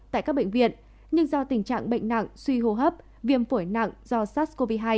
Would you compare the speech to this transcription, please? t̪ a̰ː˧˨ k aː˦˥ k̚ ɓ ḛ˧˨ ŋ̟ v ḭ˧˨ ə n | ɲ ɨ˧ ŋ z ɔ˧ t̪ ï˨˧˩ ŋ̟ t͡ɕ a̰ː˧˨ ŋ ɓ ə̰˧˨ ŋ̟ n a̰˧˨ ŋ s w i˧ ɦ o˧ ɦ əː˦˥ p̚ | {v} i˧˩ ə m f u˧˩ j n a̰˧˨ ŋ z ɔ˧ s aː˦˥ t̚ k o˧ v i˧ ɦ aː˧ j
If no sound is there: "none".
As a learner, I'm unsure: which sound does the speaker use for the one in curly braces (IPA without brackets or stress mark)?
v